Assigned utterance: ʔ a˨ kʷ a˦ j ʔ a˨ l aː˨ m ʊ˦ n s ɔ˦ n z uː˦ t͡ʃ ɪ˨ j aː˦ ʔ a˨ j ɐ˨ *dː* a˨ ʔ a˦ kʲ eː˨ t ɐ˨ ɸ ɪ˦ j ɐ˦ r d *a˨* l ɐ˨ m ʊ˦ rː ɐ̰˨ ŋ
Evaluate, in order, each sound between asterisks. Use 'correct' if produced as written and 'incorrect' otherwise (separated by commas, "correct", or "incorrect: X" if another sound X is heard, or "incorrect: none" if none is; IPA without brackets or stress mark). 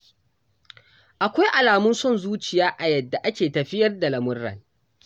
correct, correct